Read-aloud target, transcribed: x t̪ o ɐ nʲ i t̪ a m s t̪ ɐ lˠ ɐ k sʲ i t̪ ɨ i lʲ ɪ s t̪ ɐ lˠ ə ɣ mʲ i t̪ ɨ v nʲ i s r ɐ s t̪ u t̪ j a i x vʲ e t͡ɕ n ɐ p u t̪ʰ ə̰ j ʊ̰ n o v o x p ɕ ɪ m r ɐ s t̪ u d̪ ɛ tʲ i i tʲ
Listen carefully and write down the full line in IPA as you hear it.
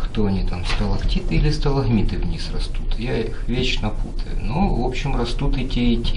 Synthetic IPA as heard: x t̪ o ɐ nʲ i t̪ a m s t̪ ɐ lˠ ɐ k tʲ i t̪ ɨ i lʲ ɪ s t̪ ɐ lˠ ɐ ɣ mʲ i t̪ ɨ v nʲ i s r ɐ s t̪ u t̪ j a i x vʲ e t͡ɕ n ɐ p u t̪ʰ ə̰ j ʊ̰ n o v o p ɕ ɪ m r ɐ s t̪ u t̪ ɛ tʲ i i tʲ

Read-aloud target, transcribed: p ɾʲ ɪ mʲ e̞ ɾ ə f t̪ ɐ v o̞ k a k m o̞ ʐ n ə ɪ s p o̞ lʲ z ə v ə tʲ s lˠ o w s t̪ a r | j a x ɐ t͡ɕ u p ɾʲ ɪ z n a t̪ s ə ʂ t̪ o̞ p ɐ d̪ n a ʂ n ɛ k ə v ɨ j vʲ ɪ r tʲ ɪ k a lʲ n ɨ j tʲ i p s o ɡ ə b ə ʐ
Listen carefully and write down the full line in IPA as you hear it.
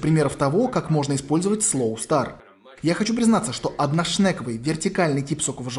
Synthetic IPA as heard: p ɾʲ ɪ mʲ e̞ ɾ ə f t̪ ɐ v o̞ k a k m o̞ ʐ n ə ɪ s p o̞ lʲ z ə v ə tʲ s lˠ o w s t̪ a r | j a x ɐ t͡ɕ u p ɾʲ ɪ z n a t̪ s ə ʂ t̪ o̞ ʔ ɐ d̪ n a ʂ n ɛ k ə v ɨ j vʲ ɪ r tʲ ɪ k a lʲ n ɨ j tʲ i p s o k ə v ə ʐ

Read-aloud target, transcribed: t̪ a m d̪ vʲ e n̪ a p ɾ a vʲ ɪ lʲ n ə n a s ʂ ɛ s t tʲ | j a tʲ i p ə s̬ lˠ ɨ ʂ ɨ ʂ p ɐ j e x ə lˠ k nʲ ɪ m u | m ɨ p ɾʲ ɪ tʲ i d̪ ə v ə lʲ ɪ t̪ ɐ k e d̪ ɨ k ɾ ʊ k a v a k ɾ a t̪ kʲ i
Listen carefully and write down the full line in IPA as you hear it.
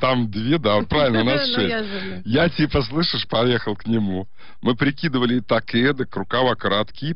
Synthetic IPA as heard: t̪ a m d̪ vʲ e d̪ a p ɾ a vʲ ɪ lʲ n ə n a s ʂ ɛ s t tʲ | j a tʲ i p ə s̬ lˠ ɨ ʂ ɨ ʂ p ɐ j e x ə lˠ k nʲ ɪ m u | m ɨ p ɾʲ ɪ kʲ i d̪ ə v ə lʲ ɪ t̪ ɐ k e d̪ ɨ k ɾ ʊ k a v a k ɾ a t̪ kʲ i

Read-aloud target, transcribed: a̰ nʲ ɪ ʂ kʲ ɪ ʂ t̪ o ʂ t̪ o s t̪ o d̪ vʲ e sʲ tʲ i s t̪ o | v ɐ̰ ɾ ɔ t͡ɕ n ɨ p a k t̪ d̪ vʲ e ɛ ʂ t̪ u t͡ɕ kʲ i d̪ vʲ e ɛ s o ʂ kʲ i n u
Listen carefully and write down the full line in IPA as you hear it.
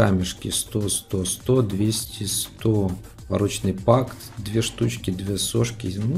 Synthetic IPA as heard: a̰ mʲ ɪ ʂ kʲ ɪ s t̪ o s t̪ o s t̪ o d̪ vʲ e sʲ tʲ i s t̪ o | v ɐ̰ ɾ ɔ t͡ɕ n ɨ p a k t̪ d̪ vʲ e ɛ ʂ t̪ u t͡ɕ kʲ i d̪ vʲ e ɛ s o ʂ kʲ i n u

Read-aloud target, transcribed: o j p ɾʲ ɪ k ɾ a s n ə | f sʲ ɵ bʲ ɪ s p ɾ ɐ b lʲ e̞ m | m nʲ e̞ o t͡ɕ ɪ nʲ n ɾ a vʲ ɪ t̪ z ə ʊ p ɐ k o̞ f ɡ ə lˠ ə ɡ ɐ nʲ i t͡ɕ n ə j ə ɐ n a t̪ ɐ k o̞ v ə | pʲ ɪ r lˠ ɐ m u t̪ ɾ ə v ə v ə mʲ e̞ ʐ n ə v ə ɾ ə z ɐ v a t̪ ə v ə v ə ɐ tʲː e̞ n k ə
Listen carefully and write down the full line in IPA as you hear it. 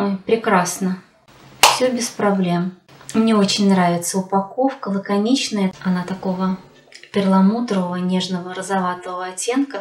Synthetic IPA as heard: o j p ɾʲ ɪ k ɾ a s n ə | f sʲ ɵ bʲ ɪ s p ɾ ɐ b lʲ e̞ m | m nʲ e̞ o t͡ɕ ɪ nʲ n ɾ a vʲ ɪ t̪ s ə ʊ p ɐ k o̞ f k ə lˠ ə k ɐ nʲ i t͡ɕ n ə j ə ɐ n a t̪ ɐ k o̞ v ə | pʲ ɪ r lˠ ɐ m u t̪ ɾ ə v ə v ə nʲ e̞ ʐ n ə v ə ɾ ə z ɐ v a t̪ ə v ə v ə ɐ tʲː e̞ n k ə

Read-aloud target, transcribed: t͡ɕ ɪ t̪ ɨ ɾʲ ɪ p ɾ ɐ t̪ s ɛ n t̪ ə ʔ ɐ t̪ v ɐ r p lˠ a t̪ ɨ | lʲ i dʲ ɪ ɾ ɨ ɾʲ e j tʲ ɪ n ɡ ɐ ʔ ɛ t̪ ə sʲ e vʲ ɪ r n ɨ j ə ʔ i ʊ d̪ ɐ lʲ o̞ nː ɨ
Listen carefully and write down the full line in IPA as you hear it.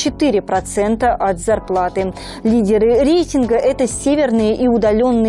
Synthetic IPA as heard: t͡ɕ ɪ t̪ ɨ ɾʲ ɪ p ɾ ɐ t̪ s ɛ n t̪ ə ʔ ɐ t̪ z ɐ r p lˠ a t̪ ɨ | lʲ i dʲ ɪ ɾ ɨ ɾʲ e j tʲ ɪ n ɡ ə ʔ ɛ t̪ ə sʲ e vʲ ɪ r n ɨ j ə ʔ i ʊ d̪ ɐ lʲ o̞ nː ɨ

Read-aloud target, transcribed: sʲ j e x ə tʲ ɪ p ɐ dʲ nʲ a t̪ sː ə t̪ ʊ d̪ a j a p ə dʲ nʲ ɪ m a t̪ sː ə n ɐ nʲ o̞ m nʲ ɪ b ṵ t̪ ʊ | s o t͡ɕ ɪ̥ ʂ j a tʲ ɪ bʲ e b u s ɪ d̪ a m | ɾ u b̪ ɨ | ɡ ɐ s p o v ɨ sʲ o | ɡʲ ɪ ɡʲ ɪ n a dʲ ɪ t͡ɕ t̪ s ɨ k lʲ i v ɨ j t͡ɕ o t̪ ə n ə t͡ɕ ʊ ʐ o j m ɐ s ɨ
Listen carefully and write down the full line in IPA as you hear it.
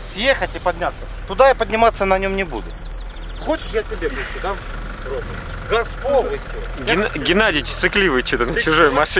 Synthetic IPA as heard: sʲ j e x ə tʲ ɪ p ɐ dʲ nʲ a t̪ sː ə t̪ ʊ d̪ a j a p ə dʲ nʲ ɪ m a t̪ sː ə n ɐ nʲ o̞ m nʲ ɪ b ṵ d̪ ʊ | x o t͡ɕ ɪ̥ ʂ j a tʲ ɪ bʲ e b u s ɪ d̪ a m | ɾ o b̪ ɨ | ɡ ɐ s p o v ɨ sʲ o | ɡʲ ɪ ɡʲ ɪ n a dʲ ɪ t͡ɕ t̪ s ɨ k lʲ i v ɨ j t͡ɕ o t̪ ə n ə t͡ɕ ʊ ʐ o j m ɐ ʂ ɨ

